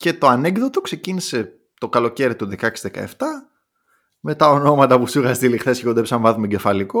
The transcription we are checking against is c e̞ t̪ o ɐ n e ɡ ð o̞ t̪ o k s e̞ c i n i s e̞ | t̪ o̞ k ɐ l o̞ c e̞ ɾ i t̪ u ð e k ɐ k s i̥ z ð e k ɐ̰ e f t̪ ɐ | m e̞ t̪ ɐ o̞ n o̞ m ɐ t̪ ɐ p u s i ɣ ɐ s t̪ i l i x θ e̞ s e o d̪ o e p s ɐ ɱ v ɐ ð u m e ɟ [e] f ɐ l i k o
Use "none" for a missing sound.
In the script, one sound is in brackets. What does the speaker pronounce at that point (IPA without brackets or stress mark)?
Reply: e